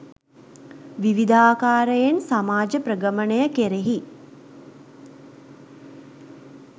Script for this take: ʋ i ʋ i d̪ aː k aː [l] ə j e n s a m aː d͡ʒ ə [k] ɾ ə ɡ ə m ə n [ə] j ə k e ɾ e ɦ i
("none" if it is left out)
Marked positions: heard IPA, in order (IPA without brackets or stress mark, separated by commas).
ɾ, p, ə